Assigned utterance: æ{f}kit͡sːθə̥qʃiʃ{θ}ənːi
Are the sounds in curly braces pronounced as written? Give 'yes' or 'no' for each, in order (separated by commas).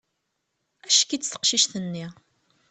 no, yes